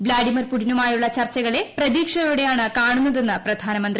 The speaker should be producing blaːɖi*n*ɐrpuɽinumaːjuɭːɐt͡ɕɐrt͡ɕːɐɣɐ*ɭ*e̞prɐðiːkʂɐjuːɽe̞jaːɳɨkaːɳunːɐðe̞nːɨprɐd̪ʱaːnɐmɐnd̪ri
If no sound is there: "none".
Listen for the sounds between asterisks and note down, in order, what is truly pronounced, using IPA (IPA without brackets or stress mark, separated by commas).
m, ɭ